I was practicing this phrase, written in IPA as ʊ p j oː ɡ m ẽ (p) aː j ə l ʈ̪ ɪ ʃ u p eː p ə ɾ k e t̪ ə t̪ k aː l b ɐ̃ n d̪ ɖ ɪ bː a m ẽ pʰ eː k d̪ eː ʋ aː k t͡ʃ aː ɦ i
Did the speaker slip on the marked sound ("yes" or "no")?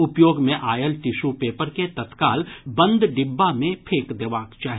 yes